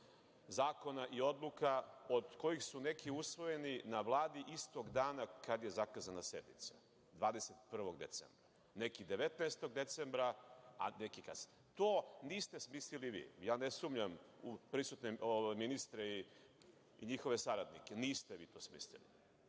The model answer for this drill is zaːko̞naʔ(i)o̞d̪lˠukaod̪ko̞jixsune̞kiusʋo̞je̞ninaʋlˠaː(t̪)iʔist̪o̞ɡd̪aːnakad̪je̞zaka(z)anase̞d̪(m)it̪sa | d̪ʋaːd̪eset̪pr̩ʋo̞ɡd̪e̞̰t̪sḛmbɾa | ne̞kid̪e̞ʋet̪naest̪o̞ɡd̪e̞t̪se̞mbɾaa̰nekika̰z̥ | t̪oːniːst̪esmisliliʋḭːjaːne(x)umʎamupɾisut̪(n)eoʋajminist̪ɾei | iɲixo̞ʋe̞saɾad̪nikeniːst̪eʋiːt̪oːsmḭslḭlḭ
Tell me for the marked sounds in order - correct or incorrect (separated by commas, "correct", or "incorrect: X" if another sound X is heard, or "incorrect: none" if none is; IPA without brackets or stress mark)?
correct, incorrect: d̪, correct, incorrect: n, incorrect: s, correct